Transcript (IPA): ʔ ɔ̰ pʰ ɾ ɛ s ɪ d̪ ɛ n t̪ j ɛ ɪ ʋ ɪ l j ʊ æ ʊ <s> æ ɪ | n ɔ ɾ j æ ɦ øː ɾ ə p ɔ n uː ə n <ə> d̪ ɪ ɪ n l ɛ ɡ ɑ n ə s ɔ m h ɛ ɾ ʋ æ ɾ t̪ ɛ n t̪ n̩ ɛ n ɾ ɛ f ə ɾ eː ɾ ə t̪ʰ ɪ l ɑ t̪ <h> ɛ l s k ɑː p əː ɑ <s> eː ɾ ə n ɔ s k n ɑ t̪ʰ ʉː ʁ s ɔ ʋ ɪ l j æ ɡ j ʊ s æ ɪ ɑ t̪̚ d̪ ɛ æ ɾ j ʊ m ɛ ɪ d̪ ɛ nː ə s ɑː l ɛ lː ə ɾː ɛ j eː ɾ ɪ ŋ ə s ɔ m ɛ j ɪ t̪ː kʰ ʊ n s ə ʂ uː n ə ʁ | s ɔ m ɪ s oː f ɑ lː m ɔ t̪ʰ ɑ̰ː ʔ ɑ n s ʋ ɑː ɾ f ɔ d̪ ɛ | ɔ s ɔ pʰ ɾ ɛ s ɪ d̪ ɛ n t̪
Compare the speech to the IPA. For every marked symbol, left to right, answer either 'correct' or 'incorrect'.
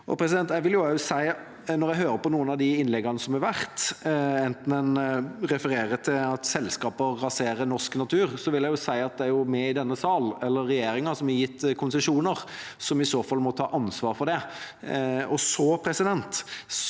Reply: correct, incorrect: ɑ, incorrect: s, correct

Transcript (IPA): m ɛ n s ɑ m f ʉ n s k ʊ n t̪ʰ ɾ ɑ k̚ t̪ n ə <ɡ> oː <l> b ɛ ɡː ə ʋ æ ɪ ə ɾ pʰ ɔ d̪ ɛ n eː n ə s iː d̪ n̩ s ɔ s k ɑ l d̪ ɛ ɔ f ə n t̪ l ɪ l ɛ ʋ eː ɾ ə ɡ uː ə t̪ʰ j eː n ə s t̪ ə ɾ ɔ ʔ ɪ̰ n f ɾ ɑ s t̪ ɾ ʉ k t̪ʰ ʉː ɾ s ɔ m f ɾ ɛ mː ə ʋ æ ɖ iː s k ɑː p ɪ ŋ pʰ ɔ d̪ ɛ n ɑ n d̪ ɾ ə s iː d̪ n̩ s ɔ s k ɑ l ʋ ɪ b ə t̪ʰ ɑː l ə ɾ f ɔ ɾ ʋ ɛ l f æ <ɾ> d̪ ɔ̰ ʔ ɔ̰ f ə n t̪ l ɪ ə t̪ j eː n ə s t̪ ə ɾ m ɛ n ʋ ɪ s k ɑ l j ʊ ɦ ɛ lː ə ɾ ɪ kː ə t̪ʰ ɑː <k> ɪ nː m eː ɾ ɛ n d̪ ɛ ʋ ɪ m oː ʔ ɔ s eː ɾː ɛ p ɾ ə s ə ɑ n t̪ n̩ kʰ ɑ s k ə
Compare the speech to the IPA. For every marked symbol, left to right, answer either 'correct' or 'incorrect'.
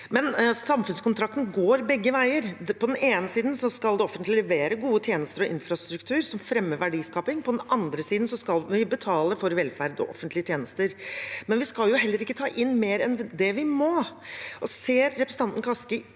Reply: correct, incorrect: ɾ, correct, incorrect: ʔ

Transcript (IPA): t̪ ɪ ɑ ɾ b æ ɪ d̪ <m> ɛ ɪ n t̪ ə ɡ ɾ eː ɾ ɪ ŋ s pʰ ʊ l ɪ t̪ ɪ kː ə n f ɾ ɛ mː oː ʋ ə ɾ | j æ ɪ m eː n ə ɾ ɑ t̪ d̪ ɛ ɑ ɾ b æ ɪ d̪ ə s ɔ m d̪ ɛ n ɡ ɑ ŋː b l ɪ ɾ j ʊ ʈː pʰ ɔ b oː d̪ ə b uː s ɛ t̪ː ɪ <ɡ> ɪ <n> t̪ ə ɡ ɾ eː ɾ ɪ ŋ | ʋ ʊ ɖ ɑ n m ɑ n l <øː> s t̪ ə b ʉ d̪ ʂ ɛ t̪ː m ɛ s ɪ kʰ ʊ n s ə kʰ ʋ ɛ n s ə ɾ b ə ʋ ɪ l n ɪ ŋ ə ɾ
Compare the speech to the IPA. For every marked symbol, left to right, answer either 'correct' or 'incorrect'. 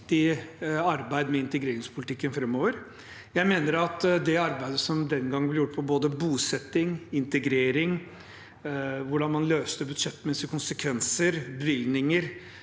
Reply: correct, incorrect: ŋ, correct, correct

